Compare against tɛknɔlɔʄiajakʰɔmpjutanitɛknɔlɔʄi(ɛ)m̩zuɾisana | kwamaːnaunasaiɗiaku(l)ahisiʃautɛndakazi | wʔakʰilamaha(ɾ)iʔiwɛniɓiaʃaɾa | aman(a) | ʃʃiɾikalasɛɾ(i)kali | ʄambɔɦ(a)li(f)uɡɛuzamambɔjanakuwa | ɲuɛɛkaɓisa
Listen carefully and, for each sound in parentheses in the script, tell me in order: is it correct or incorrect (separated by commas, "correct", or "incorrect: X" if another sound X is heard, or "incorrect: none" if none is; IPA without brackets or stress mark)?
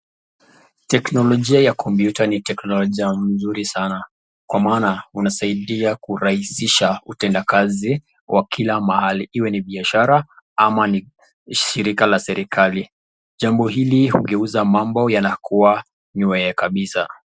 incorrect: a, incorrect: ɾ, incorrect: l, incorrect: i, correct, incorrect: i, incorrect: h